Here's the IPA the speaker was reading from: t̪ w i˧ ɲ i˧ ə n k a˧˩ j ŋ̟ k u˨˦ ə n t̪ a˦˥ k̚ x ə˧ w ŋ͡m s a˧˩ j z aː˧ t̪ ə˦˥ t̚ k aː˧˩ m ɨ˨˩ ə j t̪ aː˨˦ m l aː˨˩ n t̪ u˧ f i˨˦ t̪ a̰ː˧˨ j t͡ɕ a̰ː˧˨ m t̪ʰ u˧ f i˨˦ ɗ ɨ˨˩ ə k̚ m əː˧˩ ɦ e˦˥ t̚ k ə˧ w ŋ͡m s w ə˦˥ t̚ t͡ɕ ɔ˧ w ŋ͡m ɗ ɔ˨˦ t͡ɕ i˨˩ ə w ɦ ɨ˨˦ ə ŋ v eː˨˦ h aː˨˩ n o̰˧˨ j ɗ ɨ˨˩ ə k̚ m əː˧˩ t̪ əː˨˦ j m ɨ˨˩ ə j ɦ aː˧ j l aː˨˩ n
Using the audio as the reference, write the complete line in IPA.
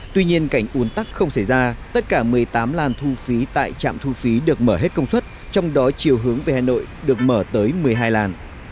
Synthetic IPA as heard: t̪ w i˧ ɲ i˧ ə n k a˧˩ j ŋ̟ ʔ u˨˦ ə n t̪ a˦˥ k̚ x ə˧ w ŋ͡m s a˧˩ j z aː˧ t̪ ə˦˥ t̚ k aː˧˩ m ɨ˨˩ ə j t̪ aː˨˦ m l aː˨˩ n t̪ʰ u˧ f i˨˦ t̪ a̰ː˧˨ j t͡ɕ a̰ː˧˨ m t̪ʰ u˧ f i˨˦ ɗ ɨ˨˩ ə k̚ m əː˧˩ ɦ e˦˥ t̚ k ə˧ w ŋ͡m s w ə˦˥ t̚ t͡ɕ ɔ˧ w ŋ͡m ɗ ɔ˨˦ t͡ɕ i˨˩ ə w ɦ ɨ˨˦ ə ŋ v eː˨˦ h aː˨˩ n o̰˧˨ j ɗ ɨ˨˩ ə k̚ m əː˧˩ t̪ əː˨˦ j m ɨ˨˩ ə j ɦ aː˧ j l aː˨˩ n